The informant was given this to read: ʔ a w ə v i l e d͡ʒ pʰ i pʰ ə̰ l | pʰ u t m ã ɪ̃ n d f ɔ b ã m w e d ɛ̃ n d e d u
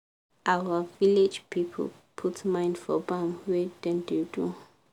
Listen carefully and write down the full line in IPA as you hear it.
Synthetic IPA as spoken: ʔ a w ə v i l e d͡ʒ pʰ i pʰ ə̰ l | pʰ u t m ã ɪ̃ n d f ɔ b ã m w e d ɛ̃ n d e d u

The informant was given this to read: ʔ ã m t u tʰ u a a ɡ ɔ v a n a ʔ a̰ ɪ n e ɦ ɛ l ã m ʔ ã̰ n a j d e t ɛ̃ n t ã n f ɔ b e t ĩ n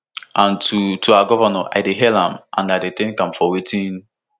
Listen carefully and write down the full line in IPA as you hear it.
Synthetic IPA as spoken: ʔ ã n t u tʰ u a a ɡ ɔ v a n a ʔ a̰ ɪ d e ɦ ɛ l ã m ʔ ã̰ n a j d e t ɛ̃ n k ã m f ɔ w e t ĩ n

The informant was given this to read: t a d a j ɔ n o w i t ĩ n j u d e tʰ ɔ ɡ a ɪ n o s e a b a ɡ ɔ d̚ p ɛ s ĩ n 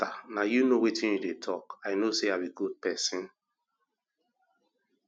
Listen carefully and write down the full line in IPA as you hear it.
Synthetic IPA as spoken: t a n a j u n o w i t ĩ n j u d e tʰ ɔ k a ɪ n o s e a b i ɡ u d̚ p ɛ s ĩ n

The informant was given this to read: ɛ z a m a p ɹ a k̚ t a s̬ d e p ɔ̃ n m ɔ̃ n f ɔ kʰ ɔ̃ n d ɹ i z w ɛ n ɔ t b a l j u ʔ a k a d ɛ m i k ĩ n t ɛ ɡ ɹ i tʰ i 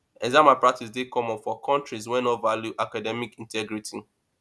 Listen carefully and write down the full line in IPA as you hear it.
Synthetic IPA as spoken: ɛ z a m a p ɹ a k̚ t i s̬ d e k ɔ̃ m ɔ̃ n f ɔ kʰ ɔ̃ n t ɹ i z w ɛ n ɔ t v a l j u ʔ a k a d ɛ m i k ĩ n t ɛ ɡ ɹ i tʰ i

